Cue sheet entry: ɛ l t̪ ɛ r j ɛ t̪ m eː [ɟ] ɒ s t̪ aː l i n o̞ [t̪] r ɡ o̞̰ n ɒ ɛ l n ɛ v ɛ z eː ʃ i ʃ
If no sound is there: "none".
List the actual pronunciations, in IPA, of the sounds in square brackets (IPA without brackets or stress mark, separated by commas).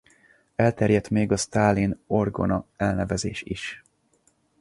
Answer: ɡ, none